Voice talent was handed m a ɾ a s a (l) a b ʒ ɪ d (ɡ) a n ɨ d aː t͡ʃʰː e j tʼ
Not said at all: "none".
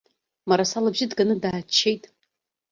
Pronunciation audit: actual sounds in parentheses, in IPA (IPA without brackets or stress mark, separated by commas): l, ɡ